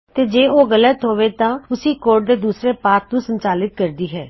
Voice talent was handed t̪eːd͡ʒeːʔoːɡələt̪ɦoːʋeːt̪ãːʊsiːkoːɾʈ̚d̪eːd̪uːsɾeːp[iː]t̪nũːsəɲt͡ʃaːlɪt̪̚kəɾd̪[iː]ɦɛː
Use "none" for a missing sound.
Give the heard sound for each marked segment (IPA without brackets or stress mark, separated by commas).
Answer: aː, iː